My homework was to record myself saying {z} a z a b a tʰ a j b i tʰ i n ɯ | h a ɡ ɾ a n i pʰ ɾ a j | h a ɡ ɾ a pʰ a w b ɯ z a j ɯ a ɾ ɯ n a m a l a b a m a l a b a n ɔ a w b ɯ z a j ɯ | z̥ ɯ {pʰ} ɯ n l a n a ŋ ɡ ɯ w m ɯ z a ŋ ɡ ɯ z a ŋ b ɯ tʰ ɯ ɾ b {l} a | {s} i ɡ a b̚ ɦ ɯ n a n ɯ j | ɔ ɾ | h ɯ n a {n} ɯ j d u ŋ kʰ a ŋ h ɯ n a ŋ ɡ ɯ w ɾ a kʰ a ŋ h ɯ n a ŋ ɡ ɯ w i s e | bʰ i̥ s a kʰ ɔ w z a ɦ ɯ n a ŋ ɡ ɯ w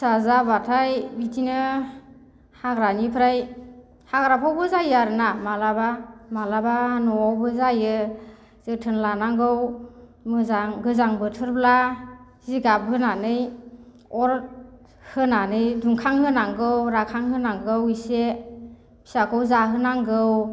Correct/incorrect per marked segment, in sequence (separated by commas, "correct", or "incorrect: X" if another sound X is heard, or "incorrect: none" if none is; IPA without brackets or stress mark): incorrect: s, incorrect: tʰ, correct, incorrect: z, correct